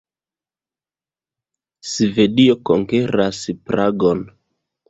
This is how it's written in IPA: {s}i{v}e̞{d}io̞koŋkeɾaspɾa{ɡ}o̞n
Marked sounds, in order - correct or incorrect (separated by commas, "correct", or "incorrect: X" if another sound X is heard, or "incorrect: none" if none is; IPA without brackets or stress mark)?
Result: correct, correct, correct, correct